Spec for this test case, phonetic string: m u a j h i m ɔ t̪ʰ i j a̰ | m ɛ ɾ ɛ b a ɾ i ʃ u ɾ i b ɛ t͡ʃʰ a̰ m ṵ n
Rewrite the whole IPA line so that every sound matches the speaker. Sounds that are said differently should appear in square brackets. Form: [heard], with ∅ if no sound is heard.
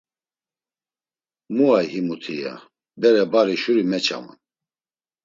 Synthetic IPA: m u a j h i m [u] t̪ʰ i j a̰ | [b] ɛ ɾ ɛ b a ɾ i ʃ u ɾ i [m] ɛ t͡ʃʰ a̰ m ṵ n